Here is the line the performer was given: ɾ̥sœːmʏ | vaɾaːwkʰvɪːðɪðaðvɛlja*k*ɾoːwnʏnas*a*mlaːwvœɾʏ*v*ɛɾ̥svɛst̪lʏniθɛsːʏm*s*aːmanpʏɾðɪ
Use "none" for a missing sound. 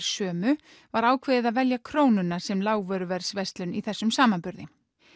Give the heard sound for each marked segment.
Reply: kʰ, ɛ, v, s

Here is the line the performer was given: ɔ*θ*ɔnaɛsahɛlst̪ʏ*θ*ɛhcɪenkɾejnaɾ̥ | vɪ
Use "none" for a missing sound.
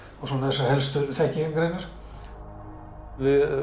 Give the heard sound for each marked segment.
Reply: s, θ

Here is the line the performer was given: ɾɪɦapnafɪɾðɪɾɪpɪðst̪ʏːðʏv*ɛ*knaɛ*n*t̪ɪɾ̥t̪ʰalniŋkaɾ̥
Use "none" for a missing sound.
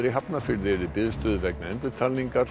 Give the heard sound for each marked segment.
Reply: ɛ, n

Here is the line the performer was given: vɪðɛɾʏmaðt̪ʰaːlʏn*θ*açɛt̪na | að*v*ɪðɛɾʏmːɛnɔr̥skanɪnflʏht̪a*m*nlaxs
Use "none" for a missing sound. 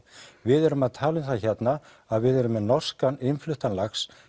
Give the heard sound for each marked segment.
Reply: θ, v, none

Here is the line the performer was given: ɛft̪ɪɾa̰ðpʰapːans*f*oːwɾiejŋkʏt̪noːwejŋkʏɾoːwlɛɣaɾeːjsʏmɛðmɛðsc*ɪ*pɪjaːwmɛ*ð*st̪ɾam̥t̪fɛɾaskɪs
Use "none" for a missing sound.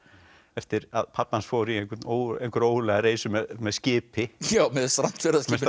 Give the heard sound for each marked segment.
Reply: f, ɪː, ð

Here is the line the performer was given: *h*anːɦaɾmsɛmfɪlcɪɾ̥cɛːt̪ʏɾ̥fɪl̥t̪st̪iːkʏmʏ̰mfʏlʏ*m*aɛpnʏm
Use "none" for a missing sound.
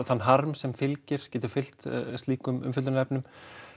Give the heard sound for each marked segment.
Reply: θ, n

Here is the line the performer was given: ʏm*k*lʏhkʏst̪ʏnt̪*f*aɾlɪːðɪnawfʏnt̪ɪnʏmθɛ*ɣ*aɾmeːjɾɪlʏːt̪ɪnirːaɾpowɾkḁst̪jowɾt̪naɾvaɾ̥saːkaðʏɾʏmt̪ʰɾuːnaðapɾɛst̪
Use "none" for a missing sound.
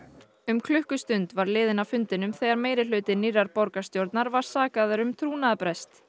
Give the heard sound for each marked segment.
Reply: kʰ, v, ɣ

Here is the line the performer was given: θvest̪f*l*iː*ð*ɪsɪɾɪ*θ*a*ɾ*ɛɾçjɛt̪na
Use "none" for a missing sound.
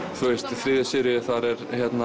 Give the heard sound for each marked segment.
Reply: ɾ, ð, θ, ɾ

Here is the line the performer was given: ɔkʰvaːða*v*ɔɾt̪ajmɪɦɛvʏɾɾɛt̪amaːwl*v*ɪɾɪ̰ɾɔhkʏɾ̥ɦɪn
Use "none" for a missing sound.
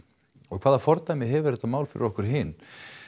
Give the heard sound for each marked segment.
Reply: f, f

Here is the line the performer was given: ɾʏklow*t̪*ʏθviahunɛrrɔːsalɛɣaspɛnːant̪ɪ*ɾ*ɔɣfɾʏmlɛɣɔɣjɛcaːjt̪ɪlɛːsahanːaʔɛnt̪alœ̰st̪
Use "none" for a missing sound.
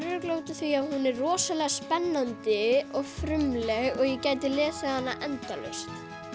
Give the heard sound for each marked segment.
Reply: t̪, none

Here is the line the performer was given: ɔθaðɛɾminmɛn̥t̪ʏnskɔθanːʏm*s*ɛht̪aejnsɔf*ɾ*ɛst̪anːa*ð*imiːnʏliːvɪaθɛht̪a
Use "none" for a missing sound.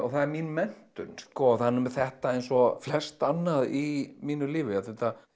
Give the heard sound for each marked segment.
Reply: θ, l, ð

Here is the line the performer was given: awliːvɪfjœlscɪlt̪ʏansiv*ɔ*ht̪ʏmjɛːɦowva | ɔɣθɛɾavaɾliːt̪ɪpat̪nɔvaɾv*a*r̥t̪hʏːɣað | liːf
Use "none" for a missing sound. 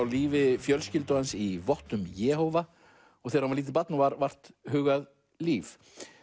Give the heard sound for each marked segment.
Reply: ɔ, a

